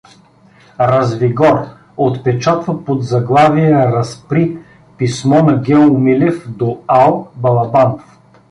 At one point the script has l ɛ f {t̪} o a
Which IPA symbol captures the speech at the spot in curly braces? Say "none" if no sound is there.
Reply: d̪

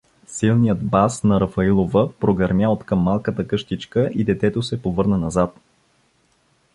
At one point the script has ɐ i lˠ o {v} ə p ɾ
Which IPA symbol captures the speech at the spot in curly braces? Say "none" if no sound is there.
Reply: v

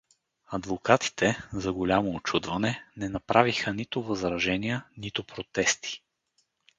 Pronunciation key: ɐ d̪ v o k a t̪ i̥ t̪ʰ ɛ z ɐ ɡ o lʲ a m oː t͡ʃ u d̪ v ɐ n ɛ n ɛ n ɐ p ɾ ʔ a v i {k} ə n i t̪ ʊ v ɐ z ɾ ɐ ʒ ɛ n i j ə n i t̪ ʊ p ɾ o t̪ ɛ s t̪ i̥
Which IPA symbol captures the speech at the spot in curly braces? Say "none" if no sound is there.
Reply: x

